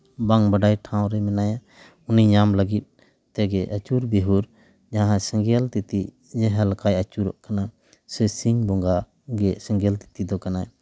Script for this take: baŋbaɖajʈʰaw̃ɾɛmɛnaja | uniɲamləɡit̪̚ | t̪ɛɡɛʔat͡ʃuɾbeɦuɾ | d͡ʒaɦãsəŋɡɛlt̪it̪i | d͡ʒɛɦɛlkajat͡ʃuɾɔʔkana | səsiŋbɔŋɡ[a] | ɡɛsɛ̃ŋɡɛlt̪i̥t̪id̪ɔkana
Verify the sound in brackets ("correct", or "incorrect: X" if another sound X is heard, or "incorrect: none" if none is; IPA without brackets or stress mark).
correct